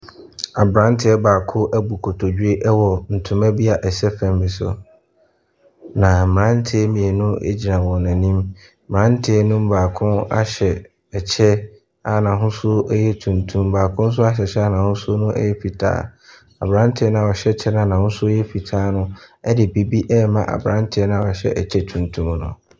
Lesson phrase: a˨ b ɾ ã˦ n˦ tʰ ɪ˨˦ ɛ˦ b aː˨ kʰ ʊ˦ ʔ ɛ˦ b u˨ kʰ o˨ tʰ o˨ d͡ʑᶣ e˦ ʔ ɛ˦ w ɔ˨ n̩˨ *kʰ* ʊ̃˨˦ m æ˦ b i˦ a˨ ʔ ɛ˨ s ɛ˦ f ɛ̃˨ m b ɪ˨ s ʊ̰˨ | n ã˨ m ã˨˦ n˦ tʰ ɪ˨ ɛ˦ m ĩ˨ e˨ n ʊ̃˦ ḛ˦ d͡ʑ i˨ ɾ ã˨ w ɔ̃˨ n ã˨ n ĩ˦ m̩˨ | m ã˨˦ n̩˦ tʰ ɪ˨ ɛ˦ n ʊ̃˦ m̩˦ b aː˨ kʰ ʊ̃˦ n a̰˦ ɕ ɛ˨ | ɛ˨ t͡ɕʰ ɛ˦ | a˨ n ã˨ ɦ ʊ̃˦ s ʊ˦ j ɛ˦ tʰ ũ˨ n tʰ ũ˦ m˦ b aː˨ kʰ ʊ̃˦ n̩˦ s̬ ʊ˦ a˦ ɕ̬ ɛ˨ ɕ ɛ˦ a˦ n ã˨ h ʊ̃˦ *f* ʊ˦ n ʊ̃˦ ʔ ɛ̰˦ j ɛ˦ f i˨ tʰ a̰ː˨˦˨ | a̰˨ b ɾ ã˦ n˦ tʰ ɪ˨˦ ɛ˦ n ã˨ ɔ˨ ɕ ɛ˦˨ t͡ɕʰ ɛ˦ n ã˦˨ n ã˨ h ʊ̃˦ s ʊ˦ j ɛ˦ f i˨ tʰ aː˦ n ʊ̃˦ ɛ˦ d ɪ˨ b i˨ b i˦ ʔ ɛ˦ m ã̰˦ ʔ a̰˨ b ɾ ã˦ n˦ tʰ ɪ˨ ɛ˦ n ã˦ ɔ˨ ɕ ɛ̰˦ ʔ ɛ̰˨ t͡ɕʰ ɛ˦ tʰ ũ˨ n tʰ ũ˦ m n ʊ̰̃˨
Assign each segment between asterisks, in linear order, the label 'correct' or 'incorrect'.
incorrect: tʰ, incorrect: s

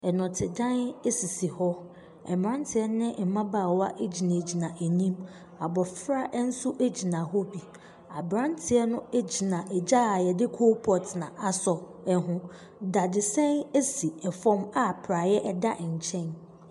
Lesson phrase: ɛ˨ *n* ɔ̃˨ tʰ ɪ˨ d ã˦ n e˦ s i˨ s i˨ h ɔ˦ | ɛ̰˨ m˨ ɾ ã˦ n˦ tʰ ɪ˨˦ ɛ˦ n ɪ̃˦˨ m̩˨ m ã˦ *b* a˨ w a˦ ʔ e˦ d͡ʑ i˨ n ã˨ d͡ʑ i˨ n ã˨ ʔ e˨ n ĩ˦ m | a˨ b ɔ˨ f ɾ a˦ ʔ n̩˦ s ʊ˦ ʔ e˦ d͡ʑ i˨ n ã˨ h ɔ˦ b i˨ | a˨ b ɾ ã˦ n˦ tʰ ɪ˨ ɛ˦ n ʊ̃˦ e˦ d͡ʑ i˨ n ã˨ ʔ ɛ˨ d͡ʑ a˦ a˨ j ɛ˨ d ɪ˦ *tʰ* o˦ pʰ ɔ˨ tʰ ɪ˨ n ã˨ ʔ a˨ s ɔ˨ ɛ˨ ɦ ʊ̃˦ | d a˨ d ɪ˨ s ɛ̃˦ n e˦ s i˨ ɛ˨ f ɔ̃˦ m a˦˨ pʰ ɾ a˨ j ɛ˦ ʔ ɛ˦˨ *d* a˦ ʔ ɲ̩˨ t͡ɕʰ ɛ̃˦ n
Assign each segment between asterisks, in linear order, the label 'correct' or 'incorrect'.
correct, correct, incorrect: kʰ, correct

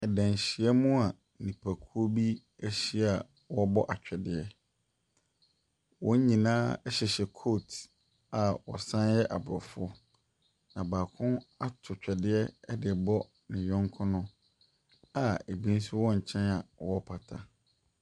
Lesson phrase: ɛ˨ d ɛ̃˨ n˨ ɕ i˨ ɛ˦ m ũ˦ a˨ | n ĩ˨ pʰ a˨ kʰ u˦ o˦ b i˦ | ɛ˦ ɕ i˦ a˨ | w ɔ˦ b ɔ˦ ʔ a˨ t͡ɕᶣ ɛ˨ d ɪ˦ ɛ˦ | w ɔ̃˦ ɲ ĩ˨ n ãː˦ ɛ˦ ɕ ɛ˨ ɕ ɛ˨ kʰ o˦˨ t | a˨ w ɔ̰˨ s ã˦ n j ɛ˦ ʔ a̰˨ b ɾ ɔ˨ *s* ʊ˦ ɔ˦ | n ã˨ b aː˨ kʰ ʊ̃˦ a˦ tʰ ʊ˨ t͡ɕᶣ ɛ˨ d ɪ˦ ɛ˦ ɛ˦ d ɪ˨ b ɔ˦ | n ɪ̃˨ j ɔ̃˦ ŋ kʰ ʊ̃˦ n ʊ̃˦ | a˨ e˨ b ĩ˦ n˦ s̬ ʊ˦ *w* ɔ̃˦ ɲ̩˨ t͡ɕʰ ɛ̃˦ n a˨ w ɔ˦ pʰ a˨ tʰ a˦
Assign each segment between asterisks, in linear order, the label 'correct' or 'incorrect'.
incorrect: f, correct

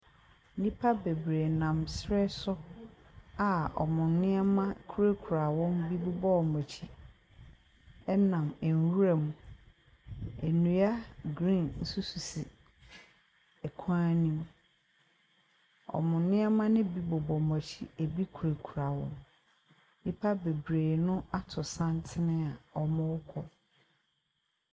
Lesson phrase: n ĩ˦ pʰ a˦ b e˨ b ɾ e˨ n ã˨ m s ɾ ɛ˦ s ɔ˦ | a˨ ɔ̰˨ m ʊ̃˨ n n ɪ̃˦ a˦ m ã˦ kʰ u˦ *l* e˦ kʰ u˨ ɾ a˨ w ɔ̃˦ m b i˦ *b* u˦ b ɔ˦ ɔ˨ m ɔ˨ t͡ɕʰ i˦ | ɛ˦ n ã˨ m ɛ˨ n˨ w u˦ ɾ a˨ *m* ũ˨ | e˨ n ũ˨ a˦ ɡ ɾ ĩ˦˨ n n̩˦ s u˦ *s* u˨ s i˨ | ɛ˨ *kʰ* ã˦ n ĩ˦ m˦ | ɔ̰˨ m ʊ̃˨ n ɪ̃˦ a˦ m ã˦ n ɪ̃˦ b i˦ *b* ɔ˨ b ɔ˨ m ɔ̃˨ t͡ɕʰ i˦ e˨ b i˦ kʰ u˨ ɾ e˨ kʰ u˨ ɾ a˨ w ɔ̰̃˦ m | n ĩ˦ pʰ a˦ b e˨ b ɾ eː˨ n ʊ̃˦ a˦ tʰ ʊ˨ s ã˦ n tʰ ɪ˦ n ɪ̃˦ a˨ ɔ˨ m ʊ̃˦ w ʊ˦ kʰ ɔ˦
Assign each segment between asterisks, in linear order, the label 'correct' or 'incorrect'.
incorrect: ɾ, correct, correct, correct, correct, correct

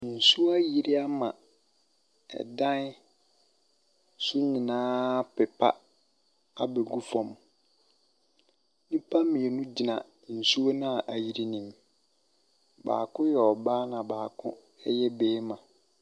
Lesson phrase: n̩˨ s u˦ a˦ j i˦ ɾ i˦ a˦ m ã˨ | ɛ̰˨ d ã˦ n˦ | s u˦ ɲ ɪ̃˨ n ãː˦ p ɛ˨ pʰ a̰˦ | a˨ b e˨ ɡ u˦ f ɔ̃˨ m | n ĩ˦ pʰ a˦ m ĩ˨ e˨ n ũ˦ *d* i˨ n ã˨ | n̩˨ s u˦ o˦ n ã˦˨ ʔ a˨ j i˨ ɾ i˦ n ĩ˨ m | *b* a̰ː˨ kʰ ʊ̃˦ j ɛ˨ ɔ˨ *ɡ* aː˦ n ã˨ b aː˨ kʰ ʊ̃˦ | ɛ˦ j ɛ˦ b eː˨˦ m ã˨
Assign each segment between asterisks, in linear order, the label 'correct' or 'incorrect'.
incorrect: d͡ʑ, correct, incorrect: b

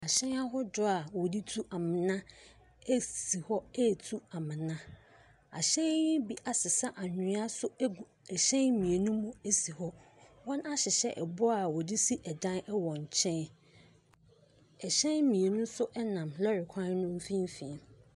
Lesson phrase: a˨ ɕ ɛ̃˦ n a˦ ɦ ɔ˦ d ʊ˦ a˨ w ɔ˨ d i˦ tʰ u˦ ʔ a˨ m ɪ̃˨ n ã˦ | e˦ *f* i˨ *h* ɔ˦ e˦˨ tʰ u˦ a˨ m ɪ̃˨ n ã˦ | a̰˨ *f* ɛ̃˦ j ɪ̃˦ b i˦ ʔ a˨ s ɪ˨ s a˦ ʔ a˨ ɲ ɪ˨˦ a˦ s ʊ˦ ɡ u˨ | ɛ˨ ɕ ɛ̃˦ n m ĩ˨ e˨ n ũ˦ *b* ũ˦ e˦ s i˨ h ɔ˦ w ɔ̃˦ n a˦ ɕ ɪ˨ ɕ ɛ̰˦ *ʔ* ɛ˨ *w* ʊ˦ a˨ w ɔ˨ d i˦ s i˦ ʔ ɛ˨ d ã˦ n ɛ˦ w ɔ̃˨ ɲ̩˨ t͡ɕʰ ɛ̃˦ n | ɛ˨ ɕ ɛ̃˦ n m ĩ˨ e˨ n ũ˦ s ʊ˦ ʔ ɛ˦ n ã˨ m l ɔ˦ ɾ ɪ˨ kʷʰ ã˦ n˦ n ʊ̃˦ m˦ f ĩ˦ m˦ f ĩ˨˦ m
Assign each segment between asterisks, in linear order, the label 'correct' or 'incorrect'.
incorrect: s, correct, incorrect: ɕ, incorrect: m, correct, incorrect: b

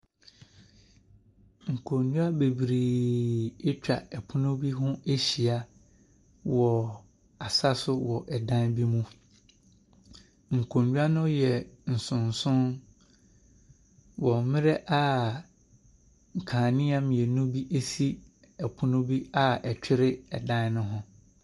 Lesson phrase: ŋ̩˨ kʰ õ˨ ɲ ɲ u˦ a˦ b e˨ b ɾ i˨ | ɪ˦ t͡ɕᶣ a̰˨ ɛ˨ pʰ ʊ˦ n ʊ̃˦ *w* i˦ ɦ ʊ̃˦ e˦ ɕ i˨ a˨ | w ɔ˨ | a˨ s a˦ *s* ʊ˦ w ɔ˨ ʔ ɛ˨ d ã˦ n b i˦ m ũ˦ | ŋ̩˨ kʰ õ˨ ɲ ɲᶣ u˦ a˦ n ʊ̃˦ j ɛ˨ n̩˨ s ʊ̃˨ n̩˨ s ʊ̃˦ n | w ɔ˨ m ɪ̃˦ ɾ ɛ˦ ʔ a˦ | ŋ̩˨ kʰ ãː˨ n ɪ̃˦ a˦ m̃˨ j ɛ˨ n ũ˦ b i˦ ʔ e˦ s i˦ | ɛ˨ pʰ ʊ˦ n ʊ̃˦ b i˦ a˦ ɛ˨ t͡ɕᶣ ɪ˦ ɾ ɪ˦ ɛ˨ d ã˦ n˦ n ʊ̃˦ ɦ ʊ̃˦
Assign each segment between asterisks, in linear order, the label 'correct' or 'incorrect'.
incorrect: b, correct

